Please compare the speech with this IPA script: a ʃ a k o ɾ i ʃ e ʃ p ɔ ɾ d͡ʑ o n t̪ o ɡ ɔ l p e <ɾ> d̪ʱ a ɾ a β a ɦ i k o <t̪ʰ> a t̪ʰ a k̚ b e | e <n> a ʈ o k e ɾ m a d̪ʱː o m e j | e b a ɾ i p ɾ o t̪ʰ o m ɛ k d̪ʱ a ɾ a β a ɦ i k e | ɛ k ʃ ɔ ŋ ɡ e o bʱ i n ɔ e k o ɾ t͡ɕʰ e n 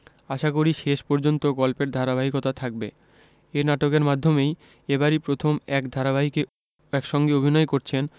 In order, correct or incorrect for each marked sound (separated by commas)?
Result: correct, incorrect, correct